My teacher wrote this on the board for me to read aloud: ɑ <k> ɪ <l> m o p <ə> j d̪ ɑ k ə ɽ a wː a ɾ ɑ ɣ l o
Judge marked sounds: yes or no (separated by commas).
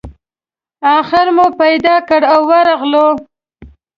no, no, no